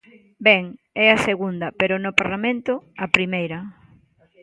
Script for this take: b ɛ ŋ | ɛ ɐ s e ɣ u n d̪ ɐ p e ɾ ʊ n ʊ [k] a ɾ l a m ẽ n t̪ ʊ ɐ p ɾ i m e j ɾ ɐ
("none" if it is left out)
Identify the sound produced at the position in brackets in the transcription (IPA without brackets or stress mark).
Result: p